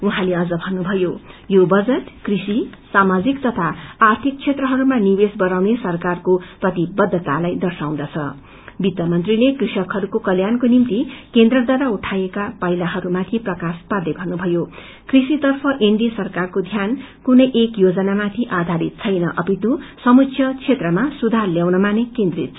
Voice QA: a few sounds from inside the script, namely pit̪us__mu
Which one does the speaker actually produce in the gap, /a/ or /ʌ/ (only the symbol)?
ʌ